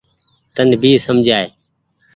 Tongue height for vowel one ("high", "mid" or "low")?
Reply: mid